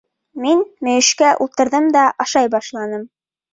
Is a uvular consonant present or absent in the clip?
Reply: absent